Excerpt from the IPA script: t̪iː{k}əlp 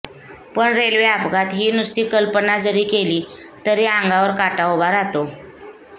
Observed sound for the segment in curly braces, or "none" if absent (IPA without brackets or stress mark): k